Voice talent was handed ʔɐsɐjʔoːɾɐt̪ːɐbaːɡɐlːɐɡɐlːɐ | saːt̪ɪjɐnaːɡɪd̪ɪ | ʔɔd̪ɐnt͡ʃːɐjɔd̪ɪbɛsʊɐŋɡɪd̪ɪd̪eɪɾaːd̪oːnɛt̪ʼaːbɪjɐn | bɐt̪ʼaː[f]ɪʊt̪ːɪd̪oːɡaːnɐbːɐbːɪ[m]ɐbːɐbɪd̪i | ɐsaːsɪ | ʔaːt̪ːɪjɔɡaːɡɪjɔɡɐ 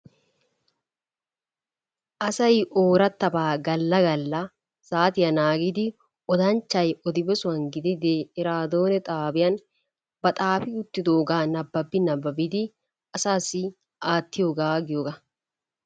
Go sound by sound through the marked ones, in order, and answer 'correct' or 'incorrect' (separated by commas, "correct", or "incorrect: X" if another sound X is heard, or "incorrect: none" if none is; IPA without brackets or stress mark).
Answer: correct, incorrect: n